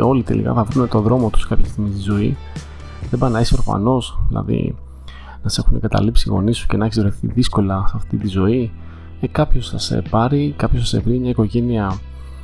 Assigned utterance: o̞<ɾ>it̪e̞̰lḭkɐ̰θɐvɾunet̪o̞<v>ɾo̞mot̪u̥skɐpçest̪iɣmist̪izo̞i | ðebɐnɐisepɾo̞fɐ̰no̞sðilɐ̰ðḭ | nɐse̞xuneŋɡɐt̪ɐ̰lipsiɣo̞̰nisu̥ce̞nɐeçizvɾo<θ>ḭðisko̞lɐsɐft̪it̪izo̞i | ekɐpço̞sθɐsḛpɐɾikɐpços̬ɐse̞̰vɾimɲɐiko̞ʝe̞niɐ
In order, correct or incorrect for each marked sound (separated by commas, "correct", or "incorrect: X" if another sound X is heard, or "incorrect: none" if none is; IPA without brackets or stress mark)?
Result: incorrect: l, incorrect: ð, correct